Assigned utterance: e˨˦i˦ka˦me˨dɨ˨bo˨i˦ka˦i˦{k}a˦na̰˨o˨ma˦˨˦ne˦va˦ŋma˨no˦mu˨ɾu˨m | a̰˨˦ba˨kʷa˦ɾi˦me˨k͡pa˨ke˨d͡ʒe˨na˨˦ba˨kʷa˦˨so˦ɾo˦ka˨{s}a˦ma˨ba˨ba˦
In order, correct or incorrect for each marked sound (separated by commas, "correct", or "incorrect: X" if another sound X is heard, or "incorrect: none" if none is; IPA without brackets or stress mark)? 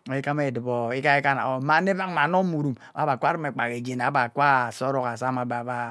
correct, correct